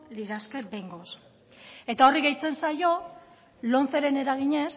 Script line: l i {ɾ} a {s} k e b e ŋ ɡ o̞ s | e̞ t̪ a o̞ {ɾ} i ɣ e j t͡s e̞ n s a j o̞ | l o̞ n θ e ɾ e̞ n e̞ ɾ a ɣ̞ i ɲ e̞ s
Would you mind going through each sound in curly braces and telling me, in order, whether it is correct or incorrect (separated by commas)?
correct, correct, incorrect